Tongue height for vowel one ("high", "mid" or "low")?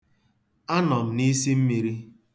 low